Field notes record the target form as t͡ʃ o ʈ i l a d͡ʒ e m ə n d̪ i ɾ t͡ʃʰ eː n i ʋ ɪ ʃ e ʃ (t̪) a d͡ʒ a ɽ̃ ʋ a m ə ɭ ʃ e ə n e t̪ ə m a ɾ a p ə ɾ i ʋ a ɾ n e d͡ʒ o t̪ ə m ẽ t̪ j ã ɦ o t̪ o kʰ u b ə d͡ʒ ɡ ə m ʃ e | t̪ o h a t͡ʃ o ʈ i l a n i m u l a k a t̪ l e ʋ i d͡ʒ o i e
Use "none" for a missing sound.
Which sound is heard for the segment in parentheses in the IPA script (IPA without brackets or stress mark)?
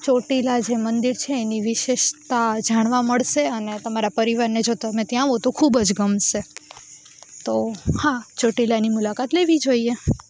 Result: t̪